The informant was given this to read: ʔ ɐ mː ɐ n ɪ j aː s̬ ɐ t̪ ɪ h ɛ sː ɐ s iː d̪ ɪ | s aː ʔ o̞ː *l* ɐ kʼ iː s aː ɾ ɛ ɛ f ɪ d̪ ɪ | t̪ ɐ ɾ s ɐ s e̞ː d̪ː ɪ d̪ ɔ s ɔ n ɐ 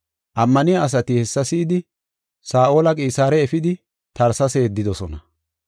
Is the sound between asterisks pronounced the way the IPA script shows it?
yes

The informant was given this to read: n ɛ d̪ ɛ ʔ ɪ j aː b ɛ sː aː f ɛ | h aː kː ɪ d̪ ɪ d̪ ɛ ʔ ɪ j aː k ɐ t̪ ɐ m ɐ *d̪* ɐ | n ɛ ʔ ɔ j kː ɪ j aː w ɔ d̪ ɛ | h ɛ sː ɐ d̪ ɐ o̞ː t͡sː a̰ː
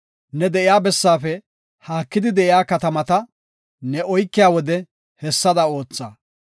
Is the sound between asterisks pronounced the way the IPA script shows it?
no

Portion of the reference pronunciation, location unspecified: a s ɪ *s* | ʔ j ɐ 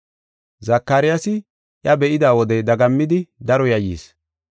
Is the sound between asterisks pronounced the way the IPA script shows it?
no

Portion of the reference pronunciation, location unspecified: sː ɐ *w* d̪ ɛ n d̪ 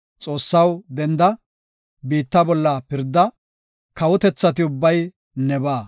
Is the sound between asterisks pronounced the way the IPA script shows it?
yes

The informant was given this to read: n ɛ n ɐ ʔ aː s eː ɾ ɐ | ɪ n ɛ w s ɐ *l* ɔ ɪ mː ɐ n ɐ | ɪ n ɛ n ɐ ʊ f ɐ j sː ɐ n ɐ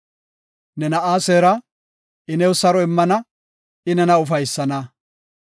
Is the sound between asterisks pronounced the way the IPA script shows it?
no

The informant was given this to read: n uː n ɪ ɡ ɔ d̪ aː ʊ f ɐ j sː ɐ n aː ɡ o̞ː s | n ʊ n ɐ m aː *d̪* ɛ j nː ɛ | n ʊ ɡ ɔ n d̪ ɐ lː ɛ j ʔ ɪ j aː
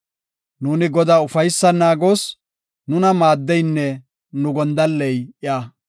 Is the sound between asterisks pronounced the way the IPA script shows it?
no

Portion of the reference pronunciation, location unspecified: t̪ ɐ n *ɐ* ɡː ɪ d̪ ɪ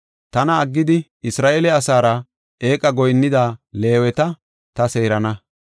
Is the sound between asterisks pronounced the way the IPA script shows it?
no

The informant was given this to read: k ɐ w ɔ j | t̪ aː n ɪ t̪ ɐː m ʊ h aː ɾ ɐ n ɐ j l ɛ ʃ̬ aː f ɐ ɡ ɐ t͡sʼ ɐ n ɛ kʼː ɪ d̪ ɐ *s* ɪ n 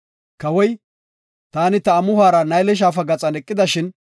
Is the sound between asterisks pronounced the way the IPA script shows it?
no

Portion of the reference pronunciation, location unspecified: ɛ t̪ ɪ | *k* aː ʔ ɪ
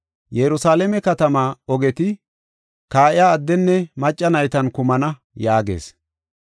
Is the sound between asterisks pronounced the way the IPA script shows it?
yes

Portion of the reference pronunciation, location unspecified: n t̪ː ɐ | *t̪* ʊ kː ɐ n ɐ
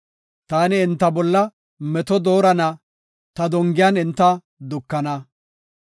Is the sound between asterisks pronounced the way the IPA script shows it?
no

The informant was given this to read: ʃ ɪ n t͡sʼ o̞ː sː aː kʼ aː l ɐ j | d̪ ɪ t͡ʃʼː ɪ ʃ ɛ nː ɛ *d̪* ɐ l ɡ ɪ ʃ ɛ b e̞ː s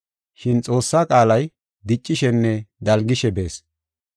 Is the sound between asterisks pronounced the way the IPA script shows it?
yes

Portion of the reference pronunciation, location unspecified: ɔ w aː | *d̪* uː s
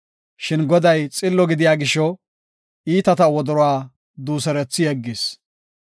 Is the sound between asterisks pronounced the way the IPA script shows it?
yes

